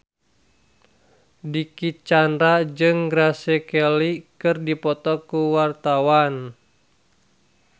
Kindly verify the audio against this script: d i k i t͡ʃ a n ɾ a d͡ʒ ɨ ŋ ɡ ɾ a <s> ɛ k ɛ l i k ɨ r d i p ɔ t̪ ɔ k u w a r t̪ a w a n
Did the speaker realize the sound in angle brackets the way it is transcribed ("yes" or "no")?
yes